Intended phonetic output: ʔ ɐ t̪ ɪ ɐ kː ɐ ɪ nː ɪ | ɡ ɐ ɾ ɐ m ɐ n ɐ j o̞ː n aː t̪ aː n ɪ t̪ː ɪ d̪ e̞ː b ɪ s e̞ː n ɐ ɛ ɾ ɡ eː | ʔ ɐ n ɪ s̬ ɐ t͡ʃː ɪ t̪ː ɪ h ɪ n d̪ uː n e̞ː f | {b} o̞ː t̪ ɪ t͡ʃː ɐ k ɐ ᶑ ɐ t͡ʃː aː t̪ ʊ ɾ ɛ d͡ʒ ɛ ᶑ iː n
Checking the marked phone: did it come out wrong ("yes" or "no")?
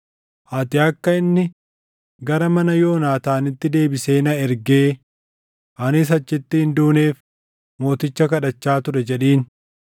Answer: yes